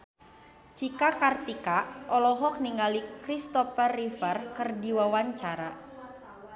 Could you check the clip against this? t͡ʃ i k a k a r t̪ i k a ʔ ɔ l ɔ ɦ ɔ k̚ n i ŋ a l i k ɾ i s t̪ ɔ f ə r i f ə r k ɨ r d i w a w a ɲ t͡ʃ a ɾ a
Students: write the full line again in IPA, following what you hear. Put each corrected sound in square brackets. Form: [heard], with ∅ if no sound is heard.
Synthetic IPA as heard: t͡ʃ i k a k a r t̪ i k a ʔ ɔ l ɔ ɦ ɔ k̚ n i ŋ a l i k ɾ i s t̪ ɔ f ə r i f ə r k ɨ r d i w a w a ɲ t͡ʃ a ɾ a